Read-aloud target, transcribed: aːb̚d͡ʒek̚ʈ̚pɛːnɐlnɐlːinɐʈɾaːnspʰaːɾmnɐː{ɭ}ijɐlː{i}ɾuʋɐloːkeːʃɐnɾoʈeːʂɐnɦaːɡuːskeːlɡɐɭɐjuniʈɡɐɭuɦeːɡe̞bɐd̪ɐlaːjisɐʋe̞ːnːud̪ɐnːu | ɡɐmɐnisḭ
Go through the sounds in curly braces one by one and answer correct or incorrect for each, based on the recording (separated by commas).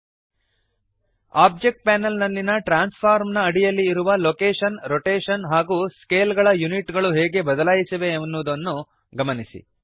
incorrect, incorrect